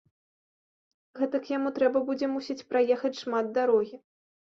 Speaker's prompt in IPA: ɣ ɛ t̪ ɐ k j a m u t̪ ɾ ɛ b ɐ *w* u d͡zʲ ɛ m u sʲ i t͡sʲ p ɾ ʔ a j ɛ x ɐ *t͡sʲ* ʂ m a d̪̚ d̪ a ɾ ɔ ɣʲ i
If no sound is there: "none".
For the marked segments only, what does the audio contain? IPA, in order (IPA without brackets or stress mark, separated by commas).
b, t͡sʲ